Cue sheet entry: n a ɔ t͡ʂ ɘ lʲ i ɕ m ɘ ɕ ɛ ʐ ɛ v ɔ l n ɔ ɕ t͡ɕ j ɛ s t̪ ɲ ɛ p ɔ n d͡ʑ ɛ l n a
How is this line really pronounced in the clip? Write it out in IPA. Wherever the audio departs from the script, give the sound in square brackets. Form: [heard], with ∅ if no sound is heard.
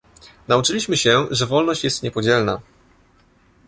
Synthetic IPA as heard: n a [u] t͡ʂ ɘ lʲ i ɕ m ɘ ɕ ɛ ʐ ɛ v ɔ l n ɔ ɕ t͡ɕ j ɛ s t̪ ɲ ɛ p ɔ [∅] d͡ʑ ɛ l n a